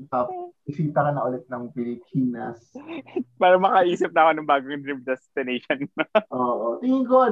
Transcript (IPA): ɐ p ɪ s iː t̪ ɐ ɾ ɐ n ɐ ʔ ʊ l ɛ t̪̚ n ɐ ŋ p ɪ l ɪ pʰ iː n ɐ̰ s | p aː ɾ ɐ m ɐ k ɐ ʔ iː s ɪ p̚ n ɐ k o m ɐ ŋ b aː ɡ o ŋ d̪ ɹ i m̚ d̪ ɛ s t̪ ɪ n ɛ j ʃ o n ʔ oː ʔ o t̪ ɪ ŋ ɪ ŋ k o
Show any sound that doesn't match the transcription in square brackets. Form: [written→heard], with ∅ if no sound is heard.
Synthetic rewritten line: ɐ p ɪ s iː t̪ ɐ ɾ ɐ n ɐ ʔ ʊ l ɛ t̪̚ n ɐ ŋ p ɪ l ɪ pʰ iː n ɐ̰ s | p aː ɾ ɐ m ɐ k ɐ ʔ iː s ɪ p̚ n ɐ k o [m→n] ɐ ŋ b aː ɡ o ŋ d̪ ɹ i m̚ d̪ ɛ s t̪ ɪ n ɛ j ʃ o n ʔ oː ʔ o t̪ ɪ ŋ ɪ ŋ k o